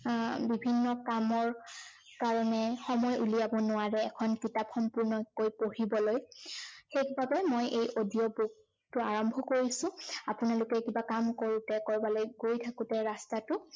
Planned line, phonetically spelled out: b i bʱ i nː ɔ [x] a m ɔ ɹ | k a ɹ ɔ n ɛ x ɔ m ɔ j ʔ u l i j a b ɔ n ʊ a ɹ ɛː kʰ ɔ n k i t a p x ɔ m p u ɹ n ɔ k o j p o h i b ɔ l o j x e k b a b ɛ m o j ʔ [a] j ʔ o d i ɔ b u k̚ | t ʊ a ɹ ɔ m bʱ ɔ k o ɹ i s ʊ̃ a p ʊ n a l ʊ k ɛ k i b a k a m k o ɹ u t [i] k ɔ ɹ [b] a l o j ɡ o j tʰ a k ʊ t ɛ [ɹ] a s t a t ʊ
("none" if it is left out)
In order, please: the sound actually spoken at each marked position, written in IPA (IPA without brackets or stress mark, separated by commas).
k, e, ɛ, b, ɹ